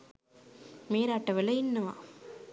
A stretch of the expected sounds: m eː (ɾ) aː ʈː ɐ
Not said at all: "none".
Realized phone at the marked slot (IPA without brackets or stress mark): ɾ